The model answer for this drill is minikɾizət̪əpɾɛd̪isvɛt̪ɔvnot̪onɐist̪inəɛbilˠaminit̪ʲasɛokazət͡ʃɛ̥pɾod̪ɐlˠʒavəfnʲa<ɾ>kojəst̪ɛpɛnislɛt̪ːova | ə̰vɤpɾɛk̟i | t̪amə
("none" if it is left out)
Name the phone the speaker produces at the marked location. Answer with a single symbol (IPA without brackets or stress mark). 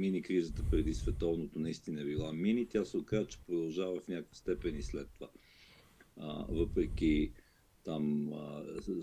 none